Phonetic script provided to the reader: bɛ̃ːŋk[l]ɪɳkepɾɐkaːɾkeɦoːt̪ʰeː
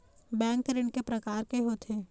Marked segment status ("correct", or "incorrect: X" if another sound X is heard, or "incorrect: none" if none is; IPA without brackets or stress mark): incorrect: ɾ